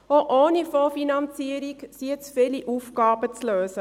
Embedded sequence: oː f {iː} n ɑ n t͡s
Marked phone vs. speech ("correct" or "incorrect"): incorrect